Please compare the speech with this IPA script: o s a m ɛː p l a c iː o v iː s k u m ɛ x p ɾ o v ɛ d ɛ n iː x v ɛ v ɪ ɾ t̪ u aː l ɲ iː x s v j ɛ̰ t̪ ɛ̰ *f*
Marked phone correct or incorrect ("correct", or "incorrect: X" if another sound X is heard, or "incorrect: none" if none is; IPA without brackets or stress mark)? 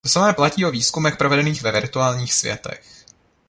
incorrect: x